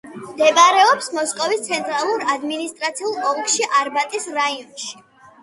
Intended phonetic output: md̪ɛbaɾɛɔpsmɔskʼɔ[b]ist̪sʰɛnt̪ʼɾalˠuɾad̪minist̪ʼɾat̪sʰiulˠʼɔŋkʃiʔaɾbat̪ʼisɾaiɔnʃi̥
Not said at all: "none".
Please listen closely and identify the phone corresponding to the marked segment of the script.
v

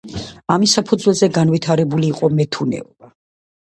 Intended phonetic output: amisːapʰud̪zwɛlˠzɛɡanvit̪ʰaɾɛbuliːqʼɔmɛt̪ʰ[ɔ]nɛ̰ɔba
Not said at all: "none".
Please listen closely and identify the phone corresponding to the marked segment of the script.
u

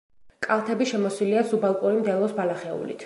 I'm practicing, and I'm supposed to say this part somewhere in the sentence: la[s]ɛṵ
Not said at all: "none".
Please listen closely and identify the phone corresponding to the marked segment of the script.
χ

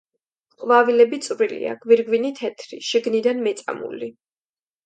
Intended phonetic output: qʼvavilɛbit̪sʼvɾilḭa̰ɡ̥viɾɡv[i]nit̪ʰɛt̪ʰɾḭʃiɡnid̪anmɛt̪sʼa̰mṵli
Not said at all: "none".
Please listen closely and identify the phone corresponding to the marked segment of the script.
i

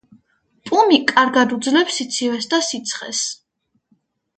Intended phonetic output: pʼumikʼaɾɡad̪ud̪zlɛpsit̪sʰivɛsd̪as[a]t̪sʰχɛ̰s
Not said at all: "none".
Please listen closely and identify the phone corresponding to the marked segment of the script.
i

